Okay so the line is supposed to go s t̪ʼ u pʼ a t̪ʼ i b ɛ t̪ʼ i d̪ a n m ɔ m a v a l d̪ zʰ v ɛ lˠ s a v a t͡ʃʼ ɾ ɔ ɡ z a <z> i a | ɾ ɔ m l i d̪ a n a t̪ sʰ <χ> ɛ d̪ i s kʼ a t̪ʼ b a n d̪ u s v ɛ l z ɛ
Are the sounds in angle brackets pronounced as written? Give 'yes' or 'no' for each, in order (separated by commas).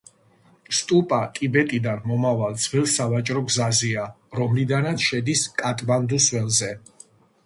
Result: yes, no